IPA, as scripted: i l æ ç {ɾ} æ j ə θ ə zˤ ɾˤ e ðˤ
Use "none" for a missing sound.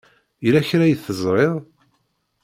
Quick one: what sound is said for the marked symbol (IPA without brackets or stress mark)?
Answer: ɾ